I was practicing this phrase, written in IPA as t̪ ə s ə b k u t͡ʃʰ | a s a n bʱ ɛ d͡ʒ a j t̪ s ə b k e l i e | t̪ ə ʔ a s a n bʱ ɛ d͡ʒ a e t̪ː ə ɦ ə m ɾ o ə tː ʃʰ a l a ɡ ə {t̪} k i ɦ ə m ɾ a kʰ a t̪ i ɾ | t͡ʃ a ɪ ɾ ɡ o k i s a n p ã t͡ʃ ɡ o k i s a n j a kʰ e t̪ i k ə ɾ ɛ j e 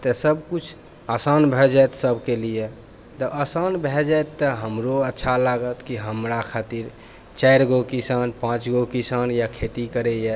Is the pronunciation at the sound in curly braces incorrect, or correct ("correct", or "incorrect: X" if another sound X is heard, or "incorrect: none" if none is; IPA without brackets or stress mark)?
correct